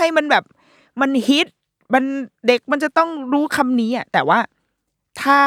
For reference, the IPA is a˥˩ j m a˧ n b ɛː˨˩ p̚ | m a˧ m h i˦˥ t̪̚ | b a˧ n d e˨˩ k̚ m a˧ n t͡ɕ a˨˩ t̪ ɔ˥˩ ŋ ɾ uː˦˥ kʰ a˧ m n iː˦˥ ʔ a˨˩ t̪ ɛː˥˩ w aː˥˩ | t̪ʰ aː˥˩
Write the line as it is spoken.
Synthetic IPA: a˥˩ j m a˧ n b ɛː˨˩ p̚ | m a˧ n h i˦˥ t̪̚ | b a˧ n d e˨˩ k̚ m a˧ n t͡ɕ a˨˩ t̪ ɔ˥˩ ŋ ɾ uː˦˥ kʰ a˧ m n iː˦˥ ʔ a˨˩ t̪ ɛː˨˩ w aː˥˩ | t̪ʰ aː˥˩